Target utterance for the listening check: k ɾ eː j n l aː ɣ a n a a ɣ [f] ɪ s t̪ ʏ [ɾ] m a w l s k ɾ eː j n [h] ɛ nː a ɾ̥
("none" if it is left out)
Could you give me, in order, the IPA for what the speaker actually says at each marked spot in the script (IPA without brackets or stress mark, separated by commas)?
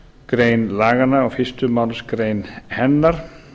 f, none, h